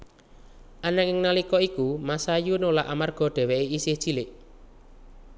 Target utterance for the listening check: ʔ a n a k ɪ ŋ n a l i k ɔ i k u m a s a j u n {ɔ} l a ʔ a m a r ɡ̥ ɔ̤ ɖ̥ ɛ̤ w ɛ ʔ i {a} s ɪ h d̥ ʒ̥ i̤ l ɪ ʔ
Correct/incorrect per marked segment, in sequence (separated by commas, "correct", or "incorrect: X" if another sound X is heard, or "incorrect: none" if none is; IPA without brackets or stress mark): incorrect: o, incorrect: i